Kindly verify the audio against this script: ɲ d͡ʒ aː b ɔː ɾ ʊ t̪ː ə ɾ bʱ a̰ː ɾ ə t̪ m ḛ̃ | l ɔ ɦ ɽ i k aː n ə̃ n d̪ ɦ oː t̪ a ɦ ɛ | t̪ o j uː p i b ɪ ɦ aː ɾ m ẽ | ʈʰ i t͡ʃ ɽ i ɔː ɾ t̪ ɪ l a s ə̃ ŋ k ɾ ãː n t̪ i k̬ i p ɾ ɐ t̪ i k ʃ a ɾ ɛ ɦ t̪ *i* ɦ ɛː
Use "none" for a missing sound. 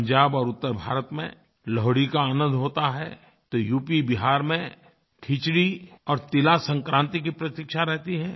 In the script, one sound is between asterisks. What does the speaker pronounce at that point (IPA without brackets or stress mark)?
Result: i